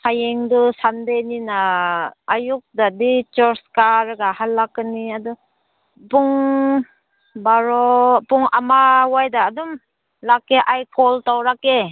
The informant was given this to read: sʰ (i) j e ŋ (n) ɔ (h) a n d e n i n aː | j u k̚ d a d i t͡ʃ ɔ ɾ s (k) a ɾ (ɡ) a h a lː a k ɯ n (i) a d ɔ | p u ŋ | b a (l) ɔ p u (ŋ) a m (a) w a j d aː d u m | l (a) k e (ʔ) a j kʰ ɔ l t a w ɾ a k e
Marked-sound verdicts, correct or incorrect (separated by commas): incorrect, incorrect, incorrect, correct, correct, correct, incorrect, correct, correct, correct, correct